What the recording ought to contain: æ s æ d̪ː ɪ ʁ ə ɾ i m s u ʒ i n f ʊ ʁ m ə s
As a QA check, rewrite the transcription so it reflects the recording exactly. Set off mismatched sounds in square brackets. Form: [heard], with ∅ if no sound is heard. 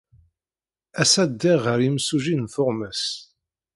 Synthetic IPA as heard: æ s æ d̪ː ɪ ʁ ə ɾ i m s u ʒ i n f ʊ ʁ m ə s